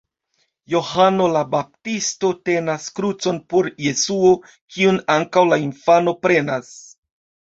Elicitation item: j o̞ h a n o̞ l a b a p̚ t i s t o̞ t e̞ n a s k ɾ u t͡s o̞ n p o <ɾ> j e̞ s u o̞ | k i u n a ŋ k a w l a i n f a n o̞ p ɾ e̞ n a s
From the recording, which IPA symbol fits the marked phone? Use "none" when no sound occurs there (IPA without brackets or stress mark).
ɾ